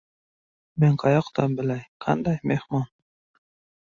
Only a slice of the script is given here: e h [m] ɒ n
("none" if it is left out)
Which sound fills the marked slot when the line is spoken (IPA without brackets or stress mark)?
m